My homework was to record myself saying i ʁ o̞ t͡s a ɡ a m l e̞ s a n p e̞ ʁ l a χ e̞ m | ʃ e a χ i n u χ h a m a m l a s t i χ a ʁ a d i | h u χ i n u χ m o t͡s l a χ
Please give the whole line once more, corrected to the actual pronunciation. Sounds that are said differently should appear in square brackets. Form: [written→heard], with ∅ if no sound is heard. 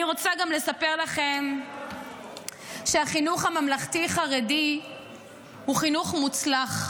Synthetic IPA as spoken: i ʁ o̞ t͡s a ɡ a m l e̞ s a [n→∅] p e̞ ʁ l a χ e̞ m | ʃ e a χ i n u χ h a m a m l a [s→χ] t i χ a ʁ [a→e] d i | h u χ i n u χ m [o→u] t͡s l a χ